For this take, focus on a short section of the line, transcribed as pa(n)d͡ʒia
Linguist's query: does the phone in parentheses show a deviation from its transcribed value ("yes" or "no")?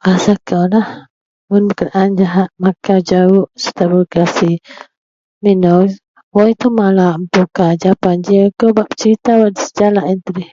no